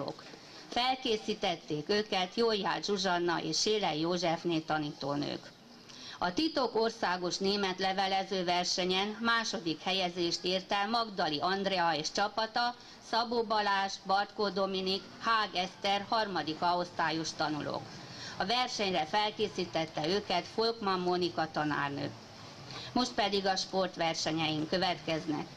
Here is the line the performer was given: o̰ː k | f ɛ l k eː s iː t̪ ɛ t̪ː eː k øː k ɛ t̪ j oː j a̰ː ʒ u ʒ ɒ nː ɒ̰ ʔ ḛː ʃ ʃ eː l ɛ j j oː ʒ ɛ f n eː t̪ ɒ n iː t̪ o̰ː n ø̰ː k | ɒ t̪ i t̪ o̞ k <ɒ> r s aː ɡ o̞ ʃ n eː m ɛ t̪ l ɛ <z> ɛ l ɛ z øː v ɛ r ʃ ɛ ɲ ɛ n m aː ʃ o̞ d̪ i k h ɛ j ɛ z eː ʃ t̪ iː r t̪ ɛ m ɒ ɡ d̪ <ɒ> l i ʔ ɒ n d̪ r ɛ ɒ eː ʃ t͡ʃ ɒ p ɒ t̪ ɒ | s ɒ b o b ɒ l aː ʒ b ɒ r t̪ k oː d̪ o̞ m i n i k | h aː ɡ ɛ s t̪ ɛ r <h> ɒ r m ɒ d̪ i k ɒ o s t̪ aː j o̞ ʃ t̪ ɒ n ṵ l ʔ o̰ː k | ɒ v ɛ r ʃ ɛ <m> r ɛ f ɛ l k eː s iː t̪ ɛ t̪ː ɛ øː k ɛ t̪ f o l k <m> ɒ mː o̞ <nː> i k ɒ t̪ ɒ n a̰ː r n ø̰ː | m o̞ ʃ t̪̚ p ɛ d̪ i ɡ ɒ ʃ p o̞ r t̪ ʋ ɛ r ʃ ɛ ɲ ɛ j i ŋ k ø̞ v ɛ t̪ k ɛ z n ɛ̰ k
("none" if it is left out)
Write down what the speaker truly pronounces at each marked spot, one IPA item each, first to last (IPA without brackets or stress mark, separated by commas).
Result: o, v, ɒ, h, ɲ, m, n